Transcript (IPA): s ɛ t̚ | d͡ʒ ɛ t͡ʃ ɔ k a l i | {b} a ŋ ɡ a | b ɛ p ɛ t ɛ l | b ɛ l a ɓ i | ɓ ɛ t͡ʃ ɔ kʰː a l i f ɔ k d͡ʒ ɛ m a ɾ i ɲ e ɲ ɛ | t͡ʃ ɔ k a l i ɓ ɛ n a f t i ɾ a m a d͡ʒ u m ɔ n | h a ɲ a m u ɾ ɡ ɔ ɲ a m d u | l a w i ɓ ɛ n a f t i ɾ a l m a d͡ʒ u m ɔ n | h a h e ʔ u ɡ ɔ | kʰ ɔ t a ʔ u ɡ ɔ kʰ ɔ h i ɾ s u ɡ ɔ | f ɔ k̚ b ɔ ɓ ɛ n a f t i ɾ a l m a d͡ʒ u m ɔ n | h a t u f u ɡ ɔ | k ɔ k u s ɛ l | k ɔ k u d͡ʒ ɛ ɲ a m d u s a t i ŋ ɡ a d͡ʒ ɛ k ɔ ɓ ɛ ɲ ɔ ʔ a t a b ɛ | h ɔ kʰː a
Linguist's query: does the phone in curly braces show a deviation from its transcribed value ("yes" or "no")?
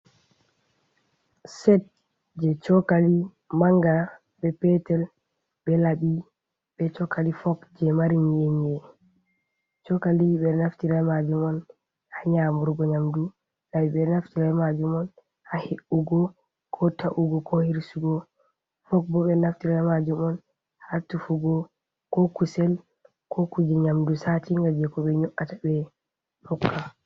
yes